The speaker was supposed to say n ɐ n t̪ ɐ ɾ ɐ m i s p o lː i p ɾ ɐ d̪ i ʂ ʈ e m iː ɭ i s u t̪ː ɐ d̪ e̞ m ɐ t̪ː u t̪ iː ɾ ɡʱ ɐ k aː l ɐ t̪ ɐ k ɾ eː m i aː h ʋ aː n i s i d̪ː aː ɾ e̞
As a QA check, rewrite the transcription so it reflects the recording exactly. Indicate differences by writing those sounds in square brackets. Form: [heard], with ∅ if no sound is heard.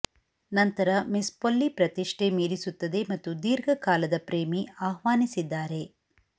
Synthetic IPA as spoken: n ɐ n t̪ ɐ ɾ ɐ m i s p o lː i p ɾ ɐ [t̪] i ʂ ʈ e m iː [ɾ] i s u t̪ː ɐ d̪ e̞ m ɐ t̪ː u [d̪] iː ɾ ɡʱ ɐ k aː l ɐ [d̪] ɐ [p] ɾ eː m i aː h ʋ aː n i s i d̪ː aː ɾ e̞